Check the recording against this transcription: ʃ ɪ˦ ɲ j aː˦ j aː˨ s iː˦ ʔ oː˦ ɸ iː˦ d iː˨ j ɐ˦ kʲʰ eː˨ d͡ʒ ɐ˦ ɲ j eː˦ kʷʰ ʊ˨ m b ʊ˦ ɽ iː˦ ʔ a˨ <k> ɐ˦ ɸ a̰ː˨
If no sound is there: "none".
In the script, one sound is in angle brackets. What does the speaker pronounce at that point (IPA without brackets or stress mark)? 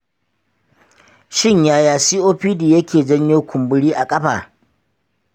kʼ